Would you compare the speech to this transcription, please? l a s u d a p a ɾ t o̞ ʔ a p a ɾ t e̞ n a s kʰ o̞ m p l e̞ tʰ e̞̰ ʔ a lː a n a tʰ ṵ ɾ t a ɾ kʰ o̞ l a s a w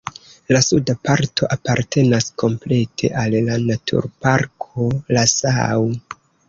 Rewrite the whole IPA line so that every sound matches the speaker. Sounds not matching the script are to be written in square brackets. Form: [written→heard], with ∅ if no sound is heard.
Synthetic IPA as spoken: l a s u d a p a ɾ t o̞ ʔ a p a ɾ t e̞ n a s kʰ o̞ m p l e̞ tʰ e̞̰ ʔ a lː a n a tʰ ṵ ɾ [t→p] a ɾ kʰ o̞ l a s a w